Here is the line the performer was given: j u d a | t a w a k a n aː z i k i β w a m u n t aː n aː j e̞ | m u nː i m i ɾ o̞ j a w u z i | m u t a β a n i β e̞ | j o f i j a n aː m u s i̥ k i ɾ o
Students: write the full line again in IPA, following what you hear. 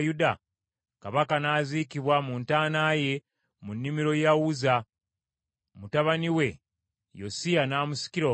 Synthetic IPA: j u d a | k a β a k a n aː z i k i β w a m u n t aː n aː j e̞ | m u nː i m i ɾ o̞ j a w u z a | m u t a β a n i w e̞ | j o s i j a n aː m u s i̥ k i ɾ o